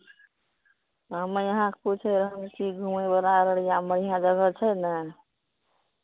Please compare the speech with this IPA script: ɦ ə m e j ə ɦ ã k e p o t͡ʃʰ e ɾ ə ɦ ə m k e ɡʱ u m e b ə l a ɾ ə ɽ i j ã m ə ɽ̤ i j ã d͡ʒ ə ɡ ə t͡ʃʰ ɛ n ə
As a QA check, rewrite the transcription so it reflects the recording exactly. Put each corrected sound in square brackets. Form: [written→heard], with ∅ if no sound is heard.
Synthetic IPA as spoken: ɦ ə m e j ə ɦ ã k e p [o→u] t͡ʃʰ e ɾ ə ɦ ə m k [e→i] ɡʱ u m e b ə l a ɾ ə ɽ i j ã m ə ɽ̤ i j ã d͡ʒ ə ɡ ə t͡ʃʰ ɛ n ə